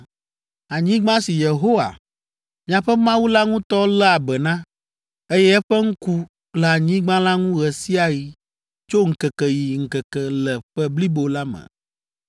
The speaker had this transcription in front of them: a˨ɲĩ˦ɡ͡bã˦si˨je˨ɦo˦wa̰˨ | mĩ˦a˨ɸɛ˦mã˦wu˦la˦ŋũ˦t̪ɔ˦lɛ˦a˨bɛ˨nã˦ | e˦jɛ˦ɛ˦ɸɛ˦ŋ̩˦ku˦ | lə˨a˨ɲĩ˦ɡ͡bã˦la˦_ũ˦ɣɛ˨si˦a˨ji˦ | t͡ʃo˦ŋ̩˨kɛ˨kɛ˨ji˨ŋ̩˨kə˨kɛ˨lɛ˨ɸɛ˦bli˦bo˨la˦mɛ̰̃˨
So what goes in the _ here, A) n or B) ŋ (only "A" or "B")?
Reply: B